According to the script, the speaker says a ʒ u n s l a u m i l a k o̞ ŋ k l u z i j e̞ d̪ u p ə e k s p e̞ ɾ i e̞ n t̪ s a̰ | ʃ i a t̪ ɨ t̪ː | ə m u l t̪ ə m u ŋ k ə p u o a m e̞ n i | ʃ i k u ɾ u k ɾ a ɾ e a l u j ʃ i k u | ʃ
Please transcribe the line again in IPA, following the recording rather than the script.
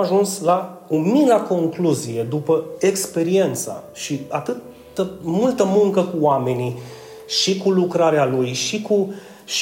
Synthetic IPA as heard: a ʒ u n s l a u m i l a k o̞ ŋ k l u z i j e̞ d̪ u p ə e k s p e̞ ɾ i e̞ n t̪ s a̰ | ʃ i a t̪ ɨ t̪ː | ə m u l t̪ ə m u ŋ k ə k u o a m e̞ n i | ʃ i k u l u k ɾ a ɾ e a l u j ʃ i k u | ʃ